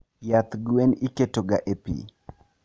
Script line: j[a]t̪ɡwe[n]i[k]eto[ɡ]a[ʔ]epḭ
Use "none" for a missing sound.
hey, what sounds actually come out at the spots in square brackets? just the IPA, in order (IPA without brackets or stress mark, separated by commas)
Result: a, n, k, ɡ, ʔ